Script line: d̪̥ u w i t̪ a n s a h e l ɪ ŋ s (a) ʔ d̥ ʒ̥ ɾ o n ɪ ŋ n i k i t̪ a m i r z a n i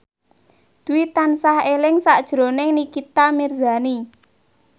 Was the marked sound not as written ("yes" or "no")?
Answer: no